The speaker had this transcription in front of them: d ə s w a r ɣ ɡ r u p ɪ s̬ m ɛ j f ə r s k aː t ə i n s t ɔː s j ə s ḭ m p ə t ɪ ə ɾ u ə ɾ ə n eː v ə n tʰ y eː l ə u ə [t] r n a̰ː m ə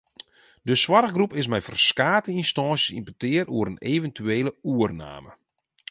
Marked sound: incorrect: none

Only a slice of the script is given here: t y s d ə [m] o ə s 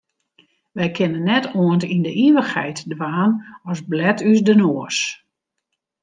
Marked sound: incorrect: n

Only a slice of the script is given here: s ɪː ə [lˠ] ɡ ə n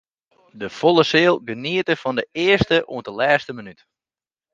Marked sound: correct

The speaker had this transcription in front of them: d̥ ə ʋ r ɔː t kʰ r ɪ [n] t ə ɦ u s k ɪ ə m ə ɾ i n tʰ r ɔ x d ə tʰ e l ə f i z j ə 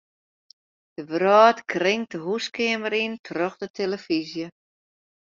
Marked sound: incorrect: ŋ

